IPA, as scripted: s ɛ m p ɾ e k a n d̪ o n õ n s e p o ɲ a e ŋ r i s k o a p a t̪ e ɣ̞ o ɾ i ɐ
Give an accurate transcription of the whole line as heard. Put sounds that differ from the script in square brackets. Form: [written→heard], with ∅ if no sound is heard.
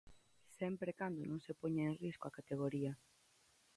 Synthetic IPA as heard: s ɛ m p ɾ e k a n d̪ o n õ [n→ŋ] s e p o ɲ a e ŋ r i s k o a [p→k] a t̪ e ɣ̞ o ɾ i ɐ